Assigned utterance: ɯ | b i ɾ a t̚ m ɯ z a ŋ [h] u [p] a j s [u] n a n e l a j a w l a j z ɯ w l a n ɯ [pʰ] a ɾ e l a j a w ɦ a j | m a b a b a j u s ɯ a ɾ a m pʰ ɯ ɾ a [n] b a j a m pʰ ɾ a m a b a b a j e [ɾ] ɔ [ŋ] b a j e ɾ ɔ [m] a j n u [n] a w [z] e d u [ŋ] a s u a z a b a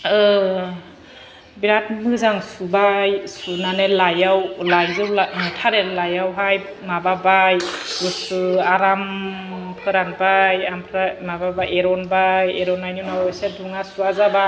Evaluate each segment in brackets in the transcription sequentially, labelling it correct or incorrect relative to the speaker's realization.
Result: incorrect: s, incorrect: b, correct, incorrect: tʰ, correct, correct, incorrect: n, incorrect: n, correct, incorrect: s, correct

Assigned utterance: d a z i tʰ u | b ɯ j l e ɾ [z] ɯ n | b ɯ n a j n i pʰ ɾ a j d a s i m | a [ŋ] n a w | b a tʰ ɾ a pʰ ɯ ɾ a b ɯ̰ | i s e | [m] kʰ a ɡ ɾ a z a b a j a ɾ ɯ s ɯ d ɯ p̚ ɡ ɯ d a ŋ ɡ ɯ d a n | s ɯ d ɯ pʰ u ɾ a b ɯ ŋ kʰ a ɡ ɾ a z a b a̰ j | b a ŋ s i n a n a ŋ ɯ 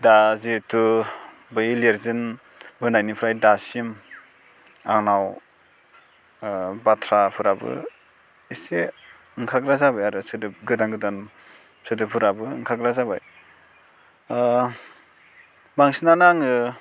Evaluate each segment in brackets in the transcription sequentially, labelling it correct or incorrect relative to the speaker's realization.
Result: correct, correct, incorrect: ŋ

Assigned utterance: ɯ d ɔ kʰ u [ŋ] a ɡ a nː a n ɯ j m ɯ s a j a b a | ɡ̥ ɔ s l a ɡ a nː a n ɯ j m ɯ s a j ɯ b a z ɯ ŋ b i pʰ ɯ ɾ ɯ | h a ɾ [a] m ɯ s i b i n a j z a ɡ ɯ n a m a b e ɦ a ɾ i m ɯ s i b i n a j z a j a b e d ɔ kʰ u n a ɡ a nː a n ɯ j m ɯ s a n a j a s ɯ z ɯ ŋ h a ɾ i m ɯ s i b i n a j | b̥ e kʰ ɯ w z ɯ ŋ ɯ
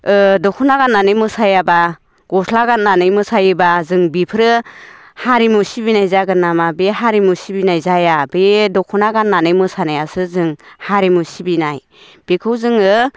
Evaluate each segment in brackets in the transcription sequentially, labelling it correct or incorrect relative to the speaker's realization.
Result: incorrect: n, incorrect: i

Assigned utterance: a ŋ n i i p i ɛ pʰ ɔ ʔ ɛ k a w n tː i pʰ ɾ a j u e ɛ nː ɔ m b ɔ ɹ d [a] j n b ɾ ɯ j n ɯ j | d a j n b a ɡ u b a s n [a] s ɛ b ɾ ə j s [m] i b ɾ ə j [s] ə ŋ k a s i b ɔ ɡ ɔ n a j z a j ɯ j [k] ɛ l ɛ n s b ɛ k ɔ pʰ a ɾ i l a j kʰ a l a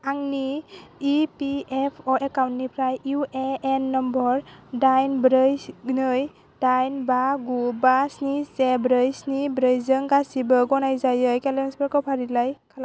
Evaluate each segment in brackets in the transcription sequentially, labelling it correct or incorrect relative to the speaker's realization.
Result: correct, incorrect: i, incorrect: n, incorrect: z, correct

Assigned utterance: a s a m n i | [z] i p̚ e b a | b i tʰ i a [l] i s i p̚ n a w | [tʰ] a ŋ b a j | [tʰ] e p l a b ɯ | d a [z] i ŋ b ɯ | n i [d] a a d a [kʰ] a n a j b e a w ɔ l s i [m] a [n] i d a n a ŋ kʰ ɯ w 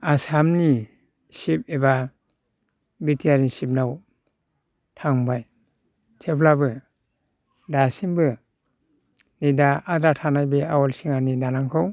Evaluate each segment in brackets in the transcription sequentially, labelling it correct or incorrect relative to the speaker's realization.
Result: incorrect: s, incorrect: ɾ, correct, correct, incorrect: s, correct, incorrect: tʰ, incorrect: ŋ, correct

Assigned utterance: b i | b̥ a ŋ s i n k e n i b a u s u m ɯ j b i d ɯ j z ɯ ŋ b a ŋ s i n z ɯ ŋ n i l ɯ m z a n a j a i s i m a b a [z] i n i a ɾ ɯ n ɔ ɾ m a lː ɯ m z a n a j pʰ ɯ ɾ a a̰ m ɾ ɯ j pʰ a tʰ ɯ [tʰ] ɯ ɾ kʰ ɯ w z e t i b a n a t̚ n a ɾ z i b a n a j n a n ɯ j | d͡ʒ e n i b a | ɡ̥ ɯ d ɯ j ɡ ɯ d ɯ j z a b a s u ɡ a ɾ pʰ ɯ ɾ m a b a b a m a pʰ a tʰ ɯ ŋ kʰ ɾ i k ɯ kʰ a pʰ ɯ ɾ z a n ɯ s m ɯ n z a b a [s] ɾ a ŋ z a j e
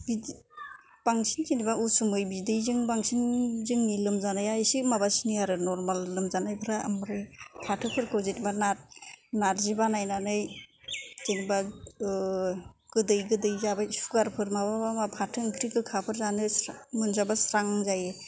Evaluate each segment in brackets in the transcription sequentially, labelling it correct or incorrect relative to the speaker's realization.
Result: incorrect: s, incorrect: pʰ, correct

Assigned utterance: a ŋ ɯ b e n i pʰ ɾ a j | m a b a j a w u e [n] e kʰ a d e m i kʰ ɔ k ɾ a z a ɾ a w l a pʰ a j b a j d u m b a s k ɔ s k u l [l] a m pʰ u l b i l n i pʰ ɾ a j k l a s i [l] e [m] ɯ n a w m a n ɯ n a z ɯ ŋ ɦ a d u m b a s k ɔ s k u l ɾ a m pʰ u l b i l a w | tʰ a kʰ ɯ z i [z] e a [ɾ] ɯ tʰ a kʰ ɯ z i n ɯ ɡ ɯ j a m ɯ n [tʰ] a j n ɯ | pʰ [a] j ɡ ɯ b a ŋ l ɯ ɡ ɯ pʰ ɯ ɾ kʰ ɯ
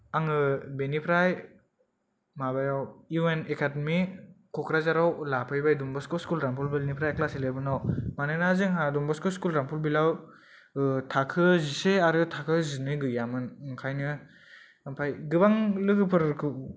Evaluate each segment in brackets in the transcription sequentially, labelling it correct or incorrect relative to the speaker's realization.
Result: correct, incorrect: ɾ, correct, incorrect: b, incorrect: s, correct, incorrect: kʰ, correct

